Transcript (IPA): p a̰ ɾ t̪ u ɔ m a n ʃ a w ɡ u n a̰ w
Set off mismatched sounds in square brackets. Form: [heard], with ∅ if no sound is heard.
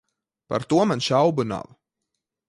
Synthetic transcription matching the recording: p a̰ ɾ t̪ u ɔ m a n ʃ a w [b] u n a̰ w